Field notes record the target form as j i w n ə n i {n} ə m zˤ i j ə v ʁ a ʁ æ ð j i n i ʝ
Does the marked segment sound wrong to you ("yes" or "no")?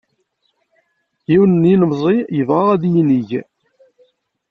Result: no